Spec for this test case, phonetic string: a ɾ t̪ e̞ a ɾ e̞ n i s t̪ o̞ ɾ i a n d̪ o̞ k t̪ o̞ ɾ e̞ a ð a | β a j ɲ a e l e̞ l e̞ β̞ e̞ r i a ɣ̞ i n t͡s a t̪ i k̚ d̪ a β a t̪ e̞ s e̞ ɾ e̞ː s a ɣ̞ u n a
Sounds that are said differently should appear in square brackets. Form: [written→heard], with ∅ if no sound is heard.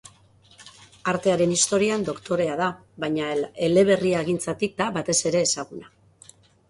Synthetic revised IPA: a ɾ t̪ e̞ a ɾ e̞ n i s t̪ o̞ ɾ i a n d̪ o̞ k t̪ o̞ ɾ e̞ a ð a | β a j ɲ a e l e̞ l e̞ β̞ e̞ r i a ɣ̞ i n t͡s a t̪ i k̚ d̪ a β a t̪ e̞ s e̞ ɾ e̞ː s a ɣ̞ u n a